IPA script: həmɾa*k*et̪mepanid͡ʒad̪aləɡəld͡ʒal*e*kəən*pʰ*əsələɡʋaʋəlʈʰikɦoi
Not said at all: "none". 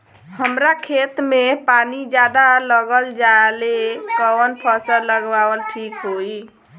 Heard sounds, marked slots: kʰ, e, pʰ

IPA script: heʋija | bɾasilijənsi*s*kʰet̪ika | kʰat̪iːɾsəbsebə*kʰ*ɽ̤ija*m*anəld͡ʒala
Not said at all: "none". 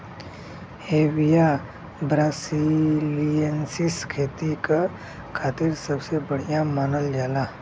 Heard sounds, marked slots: s, none, m

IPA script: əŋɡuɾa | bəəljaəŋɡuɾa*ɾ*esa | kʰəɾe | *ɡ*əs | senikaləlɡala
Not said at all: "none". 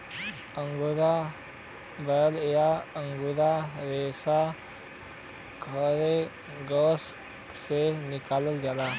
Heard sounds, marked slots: ɾ, ɡ

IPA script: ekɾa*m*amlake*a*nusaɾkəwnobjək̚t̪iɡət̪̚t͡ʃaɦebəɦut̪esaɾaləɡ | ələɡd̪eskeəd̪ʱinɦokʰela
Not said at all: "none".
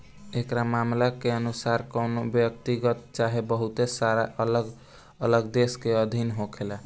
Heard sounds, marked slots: m, ə

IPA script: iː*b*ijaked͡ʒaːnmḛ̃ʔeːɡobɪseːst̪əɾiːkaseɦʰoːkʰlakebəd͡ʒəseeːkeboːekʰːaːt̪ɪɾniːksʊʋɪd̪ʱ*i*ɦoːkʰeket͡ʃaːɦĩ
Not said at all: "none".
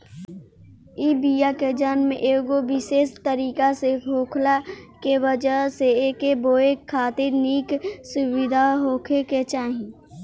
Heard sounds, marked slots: b, a

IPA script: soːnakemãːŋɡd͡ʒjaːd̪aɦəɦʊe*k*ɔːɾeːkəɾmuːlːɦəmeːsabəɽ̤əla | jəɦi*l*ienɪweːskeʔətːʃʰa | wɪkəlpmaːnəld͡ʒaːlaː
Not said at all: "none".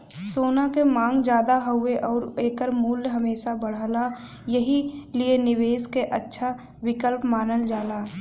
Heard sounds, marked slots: ʔ, l

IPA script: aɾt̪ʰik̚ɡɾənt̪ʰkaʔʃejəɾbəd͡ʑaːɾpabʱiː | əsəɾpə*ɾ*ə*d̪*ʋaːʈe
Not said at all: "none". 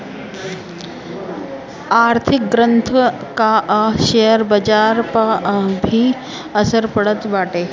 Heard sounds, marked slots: ɽ, t̪

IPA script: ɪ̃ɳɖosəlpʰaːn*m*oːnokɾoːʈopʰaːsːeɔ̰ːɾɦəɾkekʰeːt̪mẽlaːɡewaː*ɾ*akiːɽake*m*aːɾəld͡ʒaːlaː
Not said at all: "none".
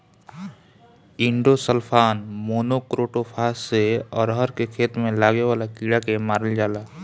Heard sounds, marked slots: m, l, m

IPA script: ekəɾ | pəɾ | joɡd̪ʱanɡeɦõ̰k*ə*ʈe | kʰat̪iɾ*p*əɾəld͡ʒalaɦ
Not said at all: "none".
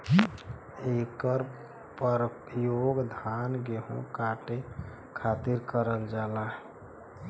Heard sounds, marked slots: a, k

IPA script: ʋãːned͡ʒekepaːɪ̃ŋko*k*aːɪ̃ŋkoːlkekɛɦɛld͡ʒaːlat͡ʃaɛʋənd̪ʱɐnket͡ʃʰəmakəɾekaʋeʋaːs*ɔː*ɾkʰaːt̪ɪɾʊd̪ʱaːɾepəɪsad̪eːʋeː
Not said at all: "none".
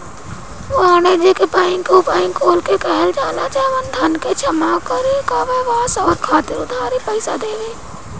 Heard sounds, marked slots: p, ɔː

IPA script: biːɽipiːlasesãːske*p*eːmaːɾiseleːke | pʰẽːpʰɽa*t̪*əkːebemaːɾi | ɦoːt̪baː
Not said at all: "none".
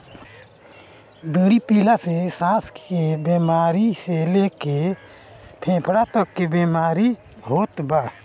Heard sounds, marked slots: b, t̪

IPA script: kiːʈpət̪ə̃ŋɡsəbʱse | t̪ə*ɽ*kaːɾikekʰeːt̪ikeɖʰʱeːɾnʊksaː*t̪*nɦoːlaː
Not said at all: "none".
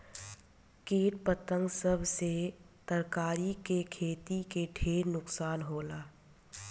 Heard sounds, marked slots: ɾ, none

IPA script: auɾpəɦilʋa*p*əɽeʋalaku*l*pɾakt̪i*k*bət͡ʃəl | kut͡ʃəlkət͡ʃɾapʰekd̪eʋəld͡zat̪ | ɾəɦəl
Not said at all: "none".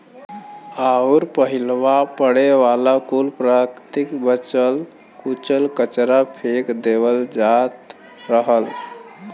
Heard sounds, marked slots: p, l, k

